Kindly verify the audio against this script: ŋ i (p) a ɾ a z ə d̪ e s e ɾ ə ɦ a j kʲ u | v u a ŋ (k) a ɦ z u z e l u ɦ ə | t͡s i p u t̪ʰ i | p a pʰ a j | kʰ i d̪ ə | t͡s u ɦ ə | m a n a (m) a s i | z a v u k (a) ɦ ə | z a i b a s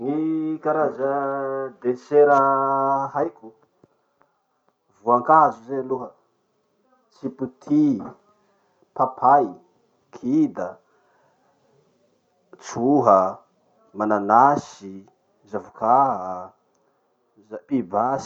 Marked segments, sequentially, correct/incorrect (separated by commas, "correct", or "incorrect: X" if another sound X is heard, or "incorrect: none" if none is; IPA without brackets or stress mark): incorrect: k, correct, incorrect: n, correct